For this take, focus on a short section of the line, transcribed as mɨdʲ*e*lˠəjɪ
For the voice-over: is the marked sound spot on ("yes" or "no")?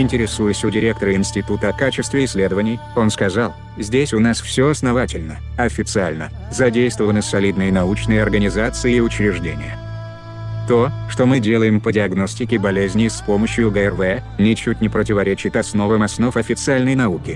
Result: yes